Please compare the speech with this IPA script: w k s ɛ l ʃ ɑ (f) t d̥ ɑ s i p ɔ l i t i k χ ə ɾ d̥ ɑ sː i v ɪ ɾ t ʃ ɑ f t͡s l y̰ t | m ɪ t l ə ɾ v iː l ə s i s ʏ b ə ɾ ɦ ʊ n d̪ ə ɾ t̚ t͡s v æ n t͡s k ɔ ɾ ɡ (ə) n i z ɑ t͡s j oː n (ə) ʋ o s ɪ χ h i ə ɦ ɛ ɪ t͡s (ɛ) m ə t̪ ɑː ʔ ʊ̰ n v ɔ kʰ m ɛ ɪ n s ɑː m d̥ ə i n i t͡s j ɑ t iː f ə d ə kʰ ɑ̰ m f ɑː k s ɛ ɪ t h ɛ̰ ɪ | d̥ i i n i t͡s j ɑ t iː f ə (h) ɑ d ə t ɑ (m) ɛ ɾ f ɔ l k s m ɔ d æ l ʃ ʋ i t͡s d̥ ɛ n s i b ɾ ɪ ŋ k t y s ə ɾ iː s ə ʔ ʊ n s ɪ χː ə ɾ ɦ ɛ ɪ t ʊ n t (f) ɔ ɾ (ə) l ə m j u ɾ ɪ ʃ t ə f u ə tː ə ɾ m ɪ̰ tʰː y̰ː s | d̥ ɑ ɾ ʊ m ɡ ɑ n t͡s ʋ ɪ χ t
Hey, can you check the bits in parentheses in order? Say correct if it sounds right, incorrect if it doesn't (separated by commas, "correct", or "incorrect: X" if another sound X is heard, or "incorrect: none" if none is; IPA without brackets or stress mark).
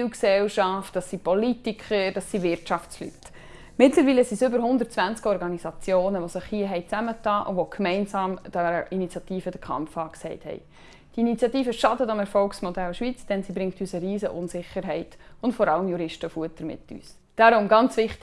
correct, incorrect: ɑ, correct, incorrect: æ, incorrect: ʃ, correct, correct, incorrect: ɑ